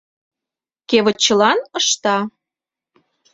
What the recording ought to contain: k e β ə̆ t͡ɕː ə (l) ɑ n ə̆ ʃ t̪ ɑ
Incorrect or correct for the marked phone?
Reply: correct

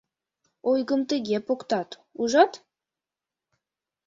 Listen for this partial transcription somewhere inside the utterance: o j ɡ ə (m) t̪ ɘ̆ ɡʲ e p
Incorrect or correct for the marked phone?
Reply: correct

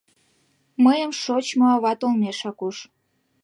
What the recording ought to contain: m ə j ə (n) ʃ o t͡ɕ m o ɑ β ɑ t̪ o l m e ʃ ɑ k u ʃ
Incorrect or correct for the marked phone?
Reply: incorrect: m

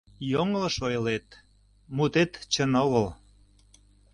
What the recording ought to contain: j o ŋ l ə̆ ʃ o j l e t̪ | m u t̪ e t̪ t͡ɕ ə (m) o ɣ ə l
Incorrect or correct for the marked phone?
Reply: incorrect: n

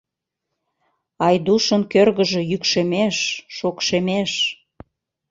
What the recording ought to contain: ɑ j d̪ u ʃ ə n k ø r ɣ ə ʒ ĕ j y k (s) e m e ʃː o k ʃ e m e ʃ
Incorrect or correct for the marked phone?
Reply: incorrect: ʃ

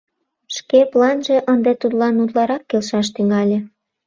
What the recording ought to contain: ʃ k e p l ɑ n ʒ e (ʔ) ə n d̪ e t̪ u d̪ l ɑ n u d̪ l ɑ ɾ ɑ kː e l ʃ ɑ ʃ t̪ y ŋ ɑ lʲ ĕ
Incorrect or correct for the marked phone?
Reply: correct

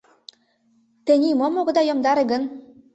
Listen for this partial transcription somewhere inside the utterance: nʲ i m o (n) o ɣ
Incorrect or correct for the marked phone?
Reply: incorrect: m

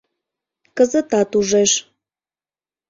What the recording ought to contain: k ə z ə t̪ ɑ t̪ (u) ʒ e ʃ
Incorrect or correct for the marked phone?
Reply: correct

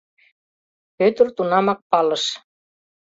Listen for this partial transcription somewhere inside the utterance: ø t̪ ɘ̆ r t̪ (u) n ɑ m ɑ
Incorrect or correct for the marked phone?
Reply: correct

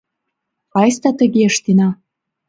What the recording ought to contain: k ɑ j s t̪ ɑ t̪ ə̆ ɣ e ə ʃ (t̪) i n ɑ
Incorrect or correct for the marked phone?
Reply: correct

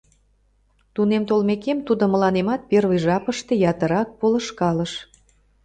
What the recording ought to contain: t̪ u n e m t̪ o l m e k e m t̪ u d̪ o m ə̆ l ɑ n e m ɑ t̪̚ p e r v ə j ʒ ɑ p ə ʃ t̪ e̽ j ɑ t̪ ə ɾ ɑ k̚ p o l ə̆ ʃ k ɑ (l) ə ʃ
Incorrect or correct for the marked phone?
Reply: correct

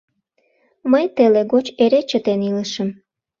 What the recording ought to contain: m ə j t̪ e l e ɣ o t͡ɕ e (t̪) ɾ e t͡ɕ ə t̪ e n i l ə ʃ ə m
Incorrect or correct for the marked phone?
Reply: incorrect: none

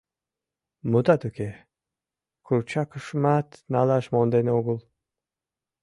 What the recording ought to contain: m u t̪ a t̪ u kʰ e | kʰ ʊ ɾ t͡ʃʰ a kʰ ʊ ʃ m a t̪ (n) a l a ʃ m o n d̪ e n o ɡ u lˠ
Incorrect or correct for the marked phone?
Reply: correct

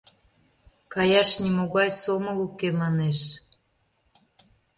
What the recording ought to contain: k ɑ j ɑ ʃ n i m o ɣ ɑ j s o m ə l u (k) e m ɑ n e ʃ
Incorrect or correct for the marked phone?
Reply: correct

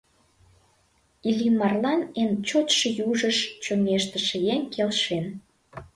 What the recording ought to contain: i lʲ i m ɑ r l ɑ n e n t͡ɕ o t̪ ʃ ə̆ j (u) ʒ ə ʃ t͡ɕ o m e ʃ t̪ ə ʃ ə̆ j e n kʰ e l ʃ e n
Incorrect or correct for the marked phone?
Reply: correct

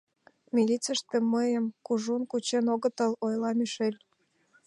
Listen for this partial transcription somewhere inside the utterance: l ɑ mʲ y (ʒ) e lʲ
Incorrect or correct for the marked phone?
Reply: incorrect: ʃ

